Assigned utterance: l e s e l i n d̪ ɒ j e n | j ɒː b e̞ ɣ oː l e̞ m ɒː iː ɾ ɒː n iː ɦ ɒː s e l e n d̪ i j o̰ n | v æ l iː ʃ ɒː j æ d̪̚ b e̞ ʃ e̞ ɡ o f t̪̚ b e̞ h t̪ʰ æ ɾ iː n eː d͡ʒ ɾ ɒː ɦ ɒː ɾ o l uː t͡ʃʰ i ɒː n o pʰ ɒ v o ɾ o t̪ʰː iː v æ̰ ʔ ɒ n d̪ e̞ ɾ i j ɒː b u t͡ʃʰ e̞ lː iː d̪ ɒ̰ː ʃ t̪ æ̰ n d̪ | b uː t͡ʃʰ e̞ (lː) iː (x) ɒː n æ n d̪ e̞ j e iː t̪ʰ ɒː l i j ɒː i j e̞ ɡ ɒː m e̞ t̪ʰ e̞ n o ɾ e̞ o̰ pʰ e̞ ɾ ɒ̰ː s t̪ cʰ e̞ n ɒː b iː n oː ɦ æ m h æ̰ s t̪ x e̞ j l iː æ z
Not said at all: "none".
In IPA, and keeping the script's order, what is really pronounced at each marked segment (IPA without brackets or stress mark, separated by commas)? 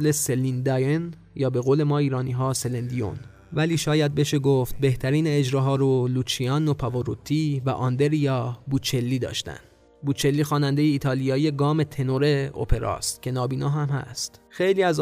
lː, x